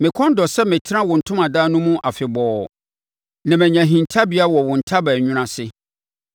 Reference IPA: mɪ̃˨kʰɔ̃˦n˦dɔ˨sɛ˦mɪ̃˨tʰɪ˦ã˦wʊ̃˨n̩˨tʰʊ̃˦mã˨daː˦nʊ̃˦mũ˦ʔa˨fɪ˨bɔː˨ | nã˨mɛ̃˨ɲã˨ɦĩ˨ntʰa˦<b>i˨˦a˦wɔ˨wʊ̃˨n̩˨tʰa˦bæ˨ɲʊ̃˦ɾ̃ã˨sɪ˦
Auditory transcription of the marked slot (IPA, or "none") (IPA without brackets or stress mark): b